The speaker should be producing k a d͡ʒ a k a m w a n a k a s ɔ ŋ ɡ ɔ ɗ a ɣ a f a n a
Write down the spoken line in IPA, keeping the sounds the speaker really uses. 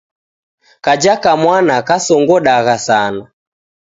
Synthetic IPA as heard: k a d͡ʒ a k a m w a n a k a s ɔ ŋ ɡ ɔ ɗ a ɣ a s a n a